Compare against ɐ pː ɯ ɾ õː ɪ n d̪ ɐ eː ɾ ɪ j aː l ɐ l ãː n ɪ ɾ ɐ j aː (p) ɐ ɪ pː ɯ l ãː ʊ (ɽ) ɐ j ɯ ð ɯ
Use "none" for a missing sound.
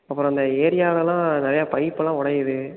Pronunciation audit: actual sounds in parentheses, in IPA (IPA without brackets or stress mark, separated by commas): p, ɽ